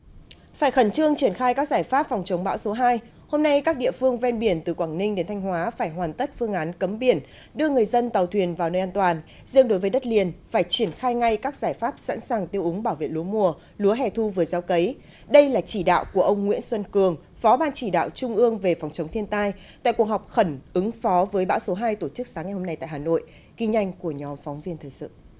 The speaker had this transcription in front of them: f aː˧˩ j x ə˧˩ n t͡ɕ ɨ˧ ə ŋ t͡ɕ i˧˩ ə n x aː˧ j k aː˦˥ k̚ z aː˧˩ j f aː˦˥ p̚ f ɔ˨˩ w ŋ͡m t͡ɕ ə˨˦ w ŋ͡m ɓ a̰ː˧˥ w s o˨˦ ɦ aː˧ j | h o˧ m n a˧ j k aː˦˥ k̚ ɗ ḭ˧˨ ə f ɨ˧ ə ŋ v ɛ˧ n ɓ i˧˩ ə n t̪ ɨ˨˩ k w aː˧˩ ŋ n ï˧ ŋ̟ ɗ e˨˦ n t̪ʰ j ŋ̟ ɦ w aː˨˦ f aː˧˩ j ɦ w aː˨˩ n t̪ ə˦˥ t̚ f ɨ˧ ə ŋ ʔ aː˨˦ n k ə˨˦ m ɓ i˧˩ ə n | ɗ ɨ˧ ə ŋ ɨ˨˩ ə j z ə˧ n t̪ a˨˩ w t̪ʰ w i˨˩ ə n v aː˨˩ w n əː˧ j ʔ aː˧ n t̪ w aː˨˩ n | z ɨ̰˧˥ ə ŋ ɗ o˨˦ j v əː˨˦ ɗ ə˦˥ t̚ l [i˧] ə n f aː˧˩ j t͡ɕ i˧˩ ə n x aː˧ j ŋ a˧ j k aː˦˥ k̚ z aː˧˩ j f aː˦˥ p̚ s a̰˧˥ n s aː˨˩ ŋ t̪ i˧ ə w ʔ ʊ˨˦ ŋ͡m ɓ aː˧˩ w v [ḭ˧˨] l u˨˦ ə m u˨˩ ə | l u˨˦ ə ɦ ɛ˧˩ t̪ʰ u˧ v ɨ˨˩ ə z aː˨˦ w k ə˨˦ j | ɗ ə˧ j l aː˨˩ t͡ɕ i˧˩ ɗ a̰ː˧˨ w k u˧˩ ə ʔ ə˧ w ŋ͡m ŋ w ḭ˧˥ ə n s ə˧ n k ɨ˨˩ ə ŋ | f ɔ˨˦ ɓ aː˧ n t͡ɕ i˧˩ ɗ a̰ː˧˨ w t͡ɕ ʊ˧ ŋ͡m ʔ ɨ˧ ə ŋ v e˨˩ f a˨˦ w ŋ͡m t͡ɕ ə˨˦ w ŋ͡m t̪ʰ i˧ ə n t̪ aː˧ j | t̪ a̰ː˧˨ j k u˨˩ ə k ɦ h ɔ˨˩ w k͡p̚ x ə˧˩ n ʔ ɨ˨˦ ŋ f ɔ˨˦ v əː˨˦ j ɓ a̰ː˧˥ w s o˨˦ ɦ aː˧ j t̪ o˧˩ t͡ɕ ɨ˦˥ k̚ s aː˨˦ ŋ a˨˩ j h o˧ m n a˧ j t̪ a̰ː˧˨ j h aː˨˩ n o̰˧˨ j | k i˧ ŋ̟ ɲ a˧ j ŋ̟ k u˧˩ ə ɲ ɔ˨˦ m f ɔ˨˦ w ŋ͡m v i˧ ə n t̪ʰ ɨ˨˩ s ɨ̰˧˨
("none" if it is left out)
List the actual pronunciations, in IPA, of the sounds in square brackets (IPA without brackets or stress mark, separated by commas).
i˨˩, ḛ˧˨